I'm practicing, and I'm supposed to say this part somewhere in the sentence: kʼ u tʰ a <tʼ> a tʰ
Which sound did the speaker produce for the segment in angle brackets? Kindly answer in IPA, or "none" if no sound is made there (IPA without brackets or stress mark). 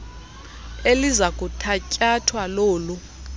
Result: cʼ